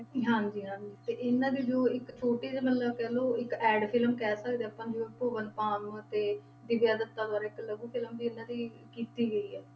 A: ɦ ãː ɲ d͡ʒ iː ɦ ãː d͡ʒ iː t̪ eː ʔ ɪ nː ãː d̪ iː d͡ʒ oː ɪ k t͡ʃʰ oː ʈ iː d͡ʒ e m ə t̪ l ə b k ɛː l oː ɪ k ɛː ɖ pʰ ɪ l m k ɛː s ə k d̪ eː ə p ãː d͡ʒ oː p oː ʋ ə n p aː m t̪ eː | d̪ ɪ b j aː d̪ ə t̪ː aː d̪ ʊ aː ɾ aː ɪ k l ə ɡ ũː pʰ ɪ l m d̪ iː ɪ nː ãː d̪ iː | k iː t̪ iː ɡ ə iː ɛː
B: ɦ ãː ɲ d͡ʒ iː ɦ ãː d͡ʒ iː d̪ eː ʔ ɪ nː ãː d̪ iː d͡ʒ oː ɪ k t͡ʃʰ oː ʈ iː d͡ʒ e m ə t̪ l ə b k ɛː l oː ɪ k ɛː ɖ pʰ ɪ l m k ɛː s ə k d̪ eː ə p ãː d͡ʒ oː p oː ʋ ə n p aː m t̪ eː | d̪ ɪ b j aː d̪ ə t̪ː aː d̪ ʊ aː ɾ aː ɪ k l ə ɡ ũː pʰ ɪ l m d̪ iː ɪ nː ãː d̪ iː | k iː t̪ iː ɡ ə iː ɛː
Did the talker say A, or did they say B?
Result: A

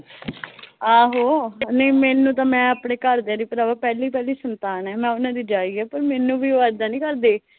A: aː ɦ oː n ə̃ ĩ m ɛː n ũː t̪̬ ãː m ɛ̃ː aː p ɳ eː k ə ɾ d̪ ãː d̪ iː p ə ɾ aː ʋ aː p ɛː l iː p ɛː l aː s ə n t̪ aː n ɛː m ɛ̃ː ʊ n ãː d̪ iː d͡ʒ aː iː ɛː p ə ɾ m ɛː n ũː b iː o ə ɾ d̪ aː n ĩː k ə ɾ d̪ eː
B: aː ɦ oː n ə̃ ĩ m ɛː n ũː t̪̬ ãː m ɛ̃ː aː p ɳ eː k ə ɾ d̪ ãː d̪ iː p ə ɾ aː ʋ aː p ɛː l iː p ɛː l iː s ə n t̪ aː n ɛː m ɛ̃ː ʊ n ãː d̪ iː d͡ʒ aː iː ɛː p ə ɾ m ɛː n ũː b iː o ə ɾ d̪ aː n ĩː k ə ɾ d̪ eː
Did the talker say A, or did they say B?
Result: B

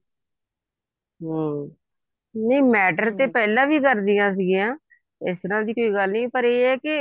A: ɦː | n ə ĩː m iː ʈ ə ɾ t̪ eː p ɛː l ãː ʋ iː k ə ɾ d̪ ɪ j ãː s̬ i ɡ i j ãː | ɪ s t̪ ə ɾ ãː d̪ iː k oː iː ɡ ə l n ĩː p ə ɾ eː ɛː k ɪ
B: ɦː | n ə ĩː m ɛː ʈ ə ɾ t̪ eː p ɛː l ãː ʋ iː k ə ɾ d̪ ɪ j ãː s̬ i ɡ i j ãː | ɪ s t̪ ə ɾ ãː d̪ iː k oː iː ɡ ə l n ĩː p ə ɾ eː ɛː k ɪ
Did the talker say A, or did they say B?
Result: B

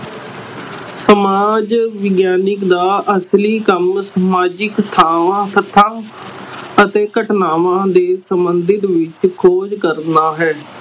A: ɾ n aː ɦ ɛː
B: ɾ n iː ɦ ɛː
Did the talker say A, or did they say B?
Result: A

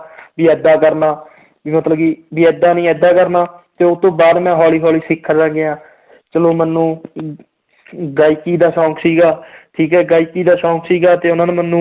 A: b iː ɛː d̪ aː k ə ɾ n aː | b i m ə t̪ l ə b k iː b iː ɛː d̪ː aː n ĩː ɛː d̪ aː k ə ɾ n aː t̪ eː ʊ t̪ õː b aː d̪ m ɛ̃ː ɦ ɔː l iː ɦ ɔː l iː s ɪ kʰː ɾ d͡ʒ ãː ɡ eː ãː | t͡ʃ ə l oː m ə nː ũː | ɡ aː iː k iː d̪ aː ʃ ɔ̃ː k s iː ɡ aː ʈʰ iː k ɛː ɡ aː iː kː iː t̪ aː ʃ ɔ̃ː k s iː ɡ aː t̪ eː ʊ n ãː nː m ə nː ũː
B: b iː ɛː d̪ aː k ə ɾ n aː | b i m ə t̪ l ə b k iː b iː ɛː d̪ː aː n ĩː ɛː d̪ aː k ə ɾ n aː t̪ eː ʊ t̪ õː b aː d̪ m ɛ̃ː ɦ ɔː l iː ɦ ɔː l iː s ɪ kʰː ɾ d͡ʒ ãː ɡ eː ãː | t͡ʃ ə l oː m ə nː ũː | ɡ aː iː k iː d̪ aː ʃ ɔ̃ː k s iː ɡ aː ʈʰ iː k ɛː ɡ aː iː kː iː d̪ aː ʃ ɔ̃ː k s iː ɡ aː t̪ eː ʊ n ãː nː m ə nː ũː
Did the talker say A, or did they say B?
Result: B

